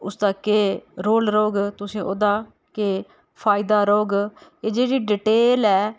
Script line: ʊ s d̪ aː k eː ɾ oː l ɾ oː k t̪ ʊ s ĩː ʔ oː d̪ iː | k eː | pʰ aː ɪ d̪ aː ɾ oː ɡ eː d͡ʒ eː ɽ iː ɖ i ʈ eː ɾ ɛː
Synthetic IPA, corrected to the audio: ʊ s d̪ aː k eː ɾ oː l ɾ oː ɡ t̪ ʊ s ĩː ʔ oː d̪ aː | k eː | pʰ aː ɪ d̪ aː ɾ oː ɡ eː d͡ʒ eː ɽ iː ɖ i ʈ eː l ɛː